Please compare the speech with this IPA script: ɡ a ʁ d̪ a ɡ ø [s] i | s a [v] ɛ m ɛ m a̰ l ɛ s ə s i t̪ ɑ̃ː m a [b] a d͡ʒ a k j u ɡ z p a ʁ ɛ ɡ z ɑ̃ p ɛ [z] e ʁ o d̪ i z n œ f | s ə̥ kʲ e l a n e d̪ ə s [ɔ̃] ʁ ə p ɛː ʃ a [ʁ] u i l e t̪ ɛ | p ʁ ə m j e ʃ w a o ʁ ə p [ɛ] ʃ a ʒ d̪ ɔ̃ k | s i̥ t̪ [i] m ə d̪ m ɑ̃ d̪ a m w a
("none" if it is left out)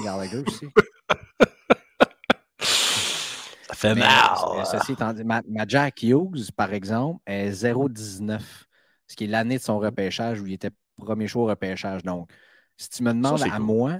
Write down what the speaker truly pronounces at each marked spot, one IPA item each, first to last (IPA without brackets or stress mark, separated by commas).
s, f, m, z, ɔ̃, ʒ, ɛː, y